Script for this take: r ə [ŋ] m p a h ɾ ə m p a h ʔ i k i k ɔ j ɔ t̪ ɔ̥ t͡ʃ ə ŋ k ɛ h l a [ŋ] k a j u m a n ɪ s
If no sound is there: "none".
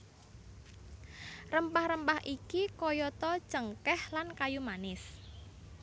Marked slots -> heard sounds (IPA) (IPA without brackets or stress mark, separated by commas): none, n